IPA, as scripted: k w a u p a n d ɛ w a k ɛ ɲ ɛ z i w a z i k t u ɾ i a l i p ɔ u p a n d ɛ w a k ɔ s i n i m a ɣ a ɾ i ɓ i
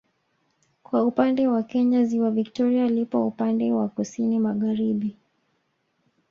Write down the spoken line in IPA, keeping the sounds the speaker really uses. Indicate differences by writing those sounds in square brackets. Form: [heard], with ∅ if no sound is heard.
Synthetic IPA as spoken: k w a u p a n d ɛ w a k ɛ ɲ [a] z i w a [v] i k t [ɔ] ɾ i a l i p ɔ u p a n d ɛ w a k [u] s i n i m a ɣ a ɾ i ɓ i